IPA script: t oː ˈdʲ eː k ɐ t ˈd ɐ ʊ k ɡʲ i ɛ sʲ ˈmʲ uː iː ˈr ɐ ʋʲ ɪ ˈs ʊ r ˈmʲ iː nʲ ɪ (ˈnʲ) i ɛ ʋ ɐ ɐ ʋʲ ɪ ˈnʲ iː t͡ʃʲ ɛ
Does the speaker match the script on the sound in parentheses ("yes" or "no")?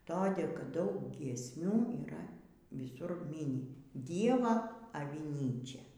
no